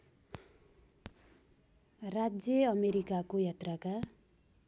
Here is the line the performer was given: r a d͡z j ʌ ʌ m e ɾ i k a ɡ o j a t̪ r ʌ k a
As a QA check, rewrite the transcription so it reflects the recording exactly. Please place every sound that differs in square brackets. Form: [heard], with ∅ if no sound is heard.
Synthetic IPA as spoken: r a d͡z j ʌ ʌ m e ɾ i k a [k] o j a t̪ r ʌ k a